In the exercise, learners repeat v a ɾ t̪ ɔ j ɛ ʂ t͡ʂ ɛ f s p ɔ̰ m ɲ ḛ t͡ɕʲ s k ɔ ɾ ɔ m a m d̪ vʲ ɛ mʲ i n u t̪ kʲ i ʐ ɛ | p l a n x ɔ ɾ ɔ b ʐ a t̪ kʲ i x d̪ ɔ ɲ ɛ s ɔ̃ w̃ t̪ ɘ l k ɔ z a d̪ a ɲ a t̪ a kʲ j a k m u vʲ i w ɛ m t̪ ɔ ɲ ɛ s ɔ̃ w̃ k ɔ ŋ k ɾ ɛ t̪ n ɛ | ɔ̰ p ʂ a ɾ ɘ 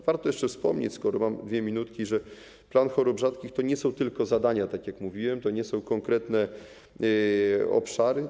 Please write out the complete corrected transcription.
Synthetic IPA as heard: v a ɾ t̪ ɔ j ɛ ʂ t͡ʂ ɛ f s p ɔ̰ m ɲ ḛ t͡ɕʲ s k ɔ ɾ ɔ m a m d̪ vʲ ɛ mʲ i n u t̪ kʲ i ʐ ɛ | p l a n x ɔ ɾ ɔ b ʐ a t̪ kʲ i x t̪ ɔ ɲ ɛ s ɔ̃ w̃ t̪ ɘ l k ɔ z a d̪ a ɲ a t̪ a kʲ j a k m u vʲ i w ɛ m t̪ ɔ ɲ ɛ s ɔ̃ w̃ k ɔ ŋ k ɾ ɛ t̪ n ɛ | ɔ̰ p ʂ a ɾ ɘ